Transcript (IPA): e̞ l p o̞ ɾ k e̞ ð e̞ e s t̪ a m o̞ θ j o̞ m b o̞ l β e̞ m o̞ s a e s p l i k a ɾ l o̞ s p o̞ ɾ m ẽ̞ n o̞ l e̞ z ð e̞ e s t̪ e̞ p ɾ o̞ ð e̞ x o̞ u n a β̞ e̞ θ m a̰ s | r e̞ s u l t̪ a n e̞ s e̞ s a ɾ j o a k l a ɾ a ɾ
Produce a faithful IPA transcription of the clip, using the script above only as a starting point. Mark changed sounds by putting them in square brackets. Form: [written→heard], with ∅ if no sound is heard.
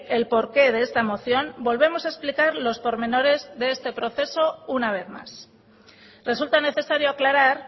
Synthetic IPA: e̞ l p o̞ ɾ k e̞ ð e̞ e s t̪ a m o̞ θ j o̞ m b o̞ l β e̞ m o̞ s a e s p l i k a ɾ l o̞ s p o̞ ɾ m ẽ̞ n o̞ [l→ɾ] e̞ z ð e̞ e s t̪ e̞ p ɾ o̞ [ð→θ] e̞ [x→s] o̞ u n a β̞ e̞ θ m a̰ s | r e̞ s u l t̪ a n e̞ [s→θ] e̞ s a ɾ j o a k l a ɾ a ɾ